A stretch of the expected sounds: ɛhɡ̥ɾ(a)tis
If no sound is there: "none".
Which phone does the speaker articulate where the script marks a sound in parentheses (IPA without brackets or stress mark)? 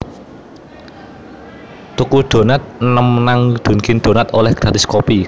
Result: a